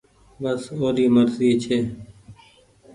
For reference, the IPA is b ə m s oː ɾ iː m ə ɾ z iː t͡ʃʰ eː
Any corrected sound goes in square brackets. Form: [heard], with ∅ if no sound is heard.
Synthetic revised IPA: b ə [∅] s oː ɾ iː m ə ɾ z iː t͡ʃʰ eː